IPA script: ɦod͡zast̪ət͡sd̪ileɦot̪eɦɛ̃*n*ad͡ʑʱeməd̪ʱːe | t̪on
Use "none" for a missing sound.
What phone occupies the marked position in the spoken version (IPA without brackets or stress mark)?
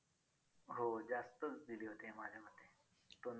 m